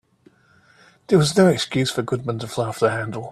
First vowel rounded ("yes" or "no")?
no